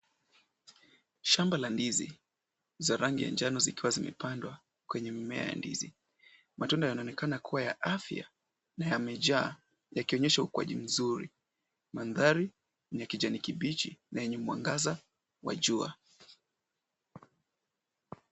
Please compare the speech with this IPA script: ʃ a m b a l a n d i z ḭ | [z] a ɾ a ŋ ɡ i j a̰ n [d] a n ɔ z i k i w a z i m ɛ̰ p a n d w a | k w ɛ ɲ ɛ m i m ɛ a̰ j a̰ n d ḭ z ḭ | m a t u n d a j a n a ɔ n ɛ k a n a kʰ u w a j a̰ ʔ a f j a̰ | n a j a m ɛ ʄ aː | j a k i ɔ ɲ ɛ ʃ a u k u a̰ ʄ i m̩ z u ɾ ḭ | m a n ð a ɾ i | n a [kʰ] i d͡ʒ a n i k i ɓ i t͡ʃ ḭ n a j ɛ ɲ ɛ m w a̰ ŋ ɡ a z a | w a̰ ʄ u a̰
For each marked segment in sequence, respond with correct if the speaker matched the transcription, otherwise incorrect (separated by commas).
correct, incorrect, incorrect